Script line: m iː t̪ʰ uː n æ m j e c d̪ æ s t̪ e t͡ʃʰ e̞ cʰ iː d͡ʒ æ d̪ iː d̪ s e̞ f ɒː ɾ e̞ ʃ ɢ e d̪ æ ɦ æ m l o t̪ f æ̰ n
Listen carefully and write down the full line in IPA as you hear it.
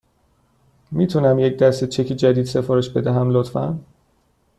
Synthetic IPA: m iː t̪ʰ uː n æ m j e c d̪ æ s t̪ e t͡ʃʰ e̞ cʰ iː d͡ʒ æ d̪ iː d̪ s e̞ f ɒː ɾ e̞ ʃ b e d̪ æ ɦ æ m l o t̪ f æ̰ n